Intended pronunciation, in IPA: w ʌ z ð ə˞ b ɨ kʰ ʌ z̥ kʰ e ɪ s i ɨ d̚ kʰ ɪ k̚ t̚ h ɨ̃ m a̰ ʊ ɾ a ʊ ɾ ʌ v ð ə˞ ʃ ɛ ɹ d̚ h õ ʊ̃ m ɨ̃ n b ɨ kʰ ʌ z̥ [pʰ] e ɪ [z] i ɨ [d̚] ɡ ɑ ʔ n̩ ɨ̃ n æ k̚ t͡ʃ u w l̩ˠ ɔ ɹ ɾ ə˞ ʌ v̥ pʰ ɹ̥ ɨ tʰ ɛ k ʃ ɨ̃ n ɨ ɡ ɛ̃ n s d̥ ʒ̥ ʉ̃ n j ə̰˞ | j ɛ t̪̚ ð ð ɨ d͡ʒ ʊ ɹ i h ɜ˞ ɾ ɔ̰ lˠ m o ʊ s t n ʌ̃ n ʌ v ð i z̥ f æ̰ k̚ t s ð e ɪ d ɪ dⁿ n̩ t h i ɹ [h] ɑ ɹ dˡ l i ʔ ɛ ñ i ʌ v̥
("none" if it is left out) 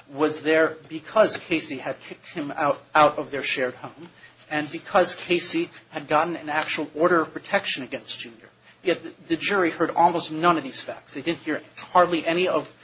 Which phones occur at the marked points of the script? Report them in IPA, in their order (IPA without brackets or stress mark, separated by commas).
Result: kʰ, s, d̚, h